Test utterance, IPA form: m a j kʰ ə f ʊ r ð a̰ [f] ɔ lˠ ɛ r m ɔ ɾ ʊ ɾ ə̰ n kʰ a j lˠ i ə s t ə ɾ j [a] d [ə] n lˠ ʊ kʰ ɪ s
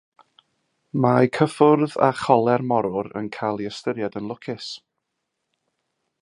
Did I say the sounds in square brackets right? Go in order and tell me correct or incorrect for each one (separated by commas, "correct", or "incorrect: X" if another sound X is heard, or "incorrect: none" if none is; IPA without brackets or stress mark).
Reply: incorrect: χ, correct, correct